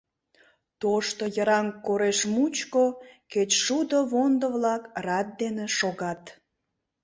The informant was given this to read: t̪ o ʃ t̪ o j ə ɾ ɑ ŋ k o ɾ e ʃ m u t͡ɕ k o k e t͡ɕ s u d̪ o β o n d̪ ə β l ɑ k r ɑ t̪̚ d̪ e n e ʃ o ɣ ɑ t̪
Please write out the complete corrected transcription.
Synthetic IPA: t̪ o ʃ t̪ o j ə ɾ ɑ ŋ k o ɾ e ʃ m u t͡ɕ k o k e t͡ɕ ʃ u d̪ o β o n d̪ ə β l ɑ k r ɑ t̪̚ d̪ e n e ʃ o ɣ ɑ t̪